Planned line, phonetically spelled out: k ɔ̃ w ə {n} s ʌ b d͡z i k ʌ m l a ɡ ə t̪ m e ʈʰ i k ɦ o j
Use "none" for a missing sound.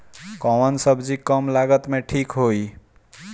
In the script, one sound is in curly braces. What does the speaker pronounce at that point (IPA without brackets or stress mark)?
n